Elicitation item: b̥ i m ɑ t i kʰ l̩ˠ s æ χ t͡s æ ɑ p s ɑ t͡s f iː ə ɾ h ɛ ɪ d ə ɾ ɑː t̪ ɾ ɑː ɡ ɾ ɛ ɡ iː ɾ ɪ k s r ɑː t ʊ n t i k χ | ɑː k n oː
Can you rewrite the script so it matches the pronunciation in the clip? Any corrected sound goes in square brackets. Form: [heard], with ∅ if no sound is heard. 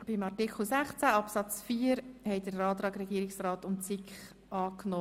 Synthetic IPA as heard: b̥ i m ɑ t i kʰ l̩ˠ s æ χ t͡s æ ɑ p s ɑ t͡s f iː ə ɾ h ɛ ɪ d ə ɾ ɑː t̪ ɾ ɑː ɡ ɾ ɛ ɡ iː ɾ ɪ k s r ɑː t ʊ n [t͡s] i k χ | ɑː k n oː

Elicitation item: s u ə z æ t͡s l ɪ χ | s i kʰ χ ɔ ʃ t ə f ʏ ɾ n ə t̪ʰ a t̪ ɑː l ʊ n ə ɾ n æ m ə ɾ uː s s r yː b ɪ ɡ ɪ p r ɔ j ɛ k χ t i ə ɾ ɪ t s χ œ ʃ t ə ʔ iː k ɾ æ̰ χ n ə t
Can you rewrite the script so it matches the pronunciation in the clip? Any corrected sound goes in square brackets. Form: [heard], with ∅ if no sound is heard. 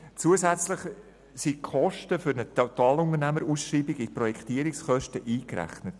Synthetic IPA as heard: [t͡s] u ə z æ t͡s l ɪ χ | s i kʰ χ ɔ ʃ t ə f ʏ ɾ n ə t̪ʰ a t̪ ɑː l ʊ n ə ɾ n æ m ə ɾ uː s [ʃ] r [iː] b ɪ ɡ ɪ p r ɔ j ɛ k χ t i ə ɾ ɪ [k] s χ œ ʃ t ə ʔ iː k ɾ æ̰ χ n ə t

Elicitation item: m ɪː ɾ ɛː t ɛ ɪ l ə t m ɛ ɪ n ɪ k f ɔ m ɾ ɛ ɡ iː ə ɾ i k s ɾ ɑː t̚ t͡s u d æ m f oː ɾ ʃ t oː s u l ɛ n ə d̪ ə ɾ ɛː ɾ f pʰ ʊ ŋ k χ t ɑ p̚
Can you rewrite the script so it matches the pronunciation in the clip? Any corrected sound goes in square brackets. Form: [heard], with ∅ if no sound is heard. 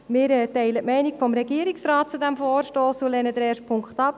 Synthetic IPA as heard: m ɪː ɾ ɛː t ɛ ɪ l ə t m ɛ ɪ n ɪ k f ɔ m ɾ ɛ ɡ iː ə ɾ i k s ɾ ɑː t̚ t͡s u d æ m f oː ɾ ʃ t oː s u l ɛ n ə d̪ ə ɾ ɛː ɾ [ʃ] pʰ ʊ ŋ k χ t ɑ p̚

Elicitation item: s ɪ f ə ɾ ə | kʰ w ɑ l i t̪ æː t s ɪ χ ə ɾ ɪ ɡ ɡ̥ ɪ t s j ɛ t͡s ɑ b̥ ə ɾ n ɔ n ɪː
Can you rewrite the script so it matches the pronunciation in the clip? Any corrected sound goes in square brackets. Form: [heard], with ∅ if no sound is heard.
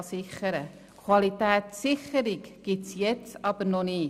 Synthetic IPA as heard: s ɪ [χ] ə ɾ ə | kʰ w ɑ l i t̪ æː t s ɪ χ ə ɾ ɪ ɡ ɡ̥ ɪ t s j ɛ t͡s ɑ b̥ ə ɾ n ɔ n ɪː

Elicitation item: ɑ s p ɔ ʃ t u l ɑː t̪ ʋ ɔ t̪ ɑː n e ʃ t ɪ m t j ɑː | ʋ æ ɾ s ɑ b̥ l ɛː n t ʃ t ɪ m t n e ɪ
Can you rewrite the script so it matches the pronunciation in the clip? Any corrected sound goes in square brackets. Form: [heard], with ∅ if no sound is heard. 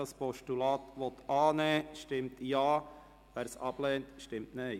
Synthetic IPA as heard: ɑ s p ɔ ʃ t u l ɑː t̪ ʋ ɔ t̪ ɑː n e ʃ t ɪ m t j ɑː | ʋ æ ɾ s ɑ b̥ l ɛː n t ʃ t ɪ m t n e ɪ

